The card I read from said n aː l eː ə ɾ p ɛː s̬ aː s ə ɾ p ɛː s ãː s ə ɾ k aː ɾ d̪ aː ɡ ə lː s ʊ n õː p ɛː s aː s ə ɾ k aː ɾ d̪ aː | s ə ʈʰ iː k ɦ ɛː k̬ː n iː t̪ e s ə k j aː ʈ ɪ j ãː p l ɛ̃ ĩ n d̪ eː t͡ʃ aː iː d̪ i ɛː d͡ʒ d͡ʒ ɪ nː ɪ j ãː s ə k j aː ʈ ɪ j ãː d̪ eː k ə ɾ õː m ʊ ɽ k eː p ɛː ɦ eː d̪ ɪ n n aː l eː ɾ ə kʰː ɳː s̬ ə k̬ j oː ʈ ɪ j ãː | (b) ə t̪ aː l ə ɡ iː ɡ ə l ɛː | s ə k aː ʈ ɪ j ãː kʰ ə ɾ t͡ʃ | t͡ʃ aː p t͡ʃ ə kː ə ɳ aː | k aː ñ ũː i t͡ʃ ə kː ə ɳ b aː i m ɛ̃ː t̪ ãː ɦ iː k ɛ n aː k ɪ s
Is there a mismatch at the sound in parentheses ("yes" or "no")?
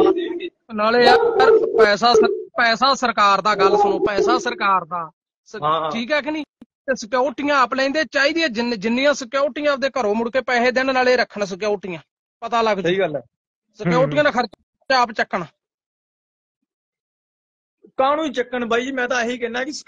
yes